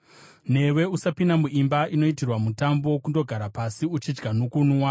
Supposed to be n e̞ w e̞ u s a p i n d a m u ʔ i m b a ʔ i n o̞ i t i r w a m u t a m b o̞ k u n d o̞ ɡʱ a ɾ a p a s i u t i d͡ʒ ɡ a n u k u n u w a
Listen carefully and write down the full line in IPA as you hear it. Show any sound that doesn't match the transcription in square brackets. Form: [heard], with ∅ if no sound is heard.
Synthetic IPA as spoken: n e̞ w e̞ u s a p i n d a m u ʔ i m b a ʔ i n o̞ i t i r w a m u t a m b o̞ k u n d o̞ ɡʱ a ɾ a p a s i u [t͡ʃ] i d͡ʒ ɡ a n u k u n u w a